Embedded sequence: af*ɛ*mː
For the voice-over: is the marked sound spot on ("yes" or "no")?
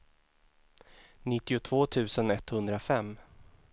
yes